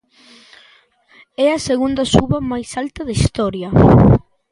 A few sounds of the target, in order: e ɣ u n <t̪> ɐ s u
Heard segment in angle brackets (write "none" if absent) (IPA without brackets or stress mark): d̪